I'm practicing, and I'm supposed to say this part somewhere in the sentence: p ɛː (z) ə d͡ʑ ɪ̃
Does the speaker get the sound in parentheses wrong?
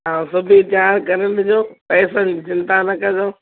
yes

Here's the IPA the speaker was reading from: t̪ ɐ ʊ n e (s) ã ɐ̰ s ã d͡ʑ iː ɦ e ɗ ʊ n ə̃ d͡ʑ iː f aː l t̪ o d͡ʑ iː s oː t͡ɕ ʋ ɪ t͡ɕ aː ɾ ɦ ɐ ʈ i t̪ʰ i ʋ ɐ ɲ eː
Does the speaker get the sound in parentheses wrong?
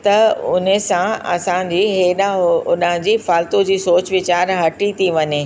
no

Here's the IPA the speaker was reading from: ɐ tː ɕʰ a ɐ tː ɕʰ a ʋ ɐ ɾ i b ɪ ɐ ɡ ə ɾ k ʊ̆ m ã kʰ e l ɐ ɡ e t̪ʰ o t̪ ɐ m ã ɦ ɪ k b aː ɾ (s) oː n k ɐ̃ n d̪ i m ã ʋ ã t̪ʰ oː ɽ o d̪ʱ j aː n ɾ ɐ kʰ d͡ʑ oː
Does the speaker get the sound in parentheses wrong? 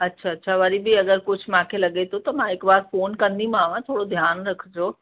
yes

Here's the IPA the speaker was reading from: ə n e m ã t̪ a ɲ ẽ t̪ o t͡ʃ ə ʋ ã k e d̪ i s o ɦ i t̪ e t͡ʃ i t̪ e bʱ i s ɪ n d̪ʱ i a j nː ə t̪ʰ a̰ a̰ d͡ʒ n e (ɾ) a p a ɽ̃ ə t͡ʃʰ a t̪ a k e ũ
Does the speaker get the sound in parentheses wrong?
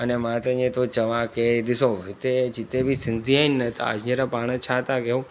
no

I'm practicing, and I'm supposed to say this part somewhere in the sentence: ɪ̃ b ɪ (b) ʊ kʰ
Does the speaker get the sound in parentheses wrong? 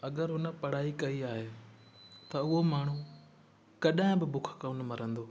no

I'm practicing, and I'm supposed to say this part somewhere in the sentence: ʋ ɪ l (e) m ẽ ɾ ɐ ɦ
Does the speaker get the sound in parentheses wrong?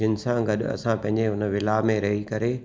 yes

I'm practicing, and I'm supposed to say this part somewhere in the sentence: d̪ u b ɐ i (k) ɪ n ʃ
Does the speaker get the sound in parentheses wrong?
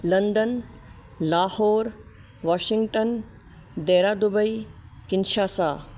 no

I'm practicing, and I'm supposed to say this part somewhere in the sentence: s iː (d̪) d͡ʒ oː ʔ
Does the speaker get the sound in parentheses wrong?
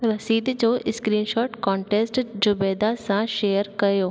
no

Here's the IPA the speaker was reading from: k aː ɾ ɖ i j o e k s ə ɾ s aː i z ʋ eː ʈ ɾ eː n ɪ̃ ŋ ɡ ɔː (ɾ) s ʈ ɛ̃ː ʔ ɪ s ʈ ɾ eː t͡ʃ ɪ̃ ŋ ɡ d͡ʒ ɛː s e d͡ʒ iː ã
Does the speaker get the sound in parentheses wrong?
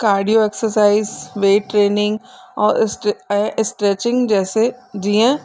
no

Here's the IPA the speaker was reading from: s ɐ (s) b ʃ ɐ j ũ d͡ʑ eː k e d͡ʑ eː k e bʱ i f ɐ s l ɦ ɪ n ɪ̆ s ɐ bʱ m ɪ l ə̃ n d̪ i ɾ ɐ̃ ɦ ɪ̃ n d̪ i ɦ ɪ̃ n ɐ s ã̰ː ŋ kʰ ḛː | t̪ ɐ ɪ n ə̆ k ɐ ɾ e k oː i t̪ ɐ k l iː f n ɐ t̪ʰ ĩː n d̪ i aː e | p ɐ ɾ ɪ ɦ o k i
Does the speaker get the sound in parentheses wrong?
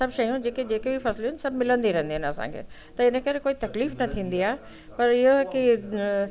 yes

